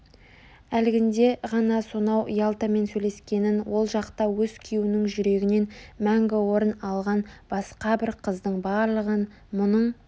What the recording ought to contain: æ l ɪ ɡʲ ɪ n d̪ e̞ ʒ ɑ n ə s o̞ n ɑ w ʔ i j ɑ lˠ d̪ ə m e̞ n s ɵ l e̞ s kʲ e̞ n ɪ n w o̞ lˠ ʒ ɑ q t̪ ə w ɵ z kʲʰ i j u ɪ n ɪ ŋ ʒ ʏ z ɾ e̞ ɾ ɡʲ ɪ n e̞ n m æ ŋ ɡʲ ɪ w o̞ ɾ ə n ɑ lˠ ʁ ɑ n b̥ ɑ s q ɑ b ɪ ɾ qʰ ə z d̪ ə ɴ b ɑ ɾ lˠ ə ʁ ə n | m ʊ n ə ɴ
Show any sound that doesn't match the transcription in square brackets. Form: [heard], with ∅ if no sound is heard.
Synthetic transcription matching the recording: æ l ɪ ɡʲ ɪ n d̪ e̞ [ʁ] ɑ n [ɑ] s o̞ n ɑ w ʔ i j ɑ lˠ [t̪] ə m e̞ n s ɵ l e̞ s kʲ e̞ n ɪ n w o̞ lˠ ʒ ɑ q t̪ [ɑ] w ɵ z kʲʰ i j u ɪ n ɪ ŋ ʒ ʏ [∅] ɾ e̞ [∅] ɡʲ ɪ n e̞ n m æ ŋ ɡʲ ɪ w o̞ ɾ ə n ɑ lˠ ʁ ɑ n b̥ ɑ s q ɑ b ɪ ɾ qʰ ə z d̪ ə ɴ b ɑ ɾ lˠ ə ʁ ə n | m ʊ n ə ɴ